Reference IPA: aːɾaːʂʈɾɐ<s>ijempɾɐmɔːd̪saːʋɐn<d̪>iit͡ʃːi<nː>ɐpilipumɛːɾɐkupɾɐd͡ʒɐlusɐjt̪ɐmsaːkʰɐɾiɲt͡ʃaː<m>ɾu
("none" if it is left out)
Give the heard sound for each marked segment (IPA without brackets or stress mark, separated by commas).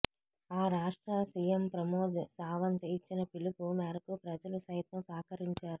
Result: s, t̪, n, none